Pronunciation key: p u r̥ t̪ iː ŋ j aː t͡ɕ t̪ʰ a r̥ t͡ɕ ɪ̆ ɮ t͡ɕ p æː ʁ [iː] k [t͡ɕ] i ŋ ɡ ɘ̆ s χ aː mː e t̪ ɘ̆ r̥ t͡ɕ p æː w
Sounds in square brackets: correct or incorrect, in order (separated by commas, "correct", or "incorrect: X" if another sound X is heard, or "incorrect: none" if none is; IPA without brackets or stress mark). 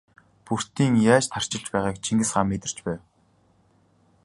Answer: incorrect: aː, incorrect: t͡ɕʰ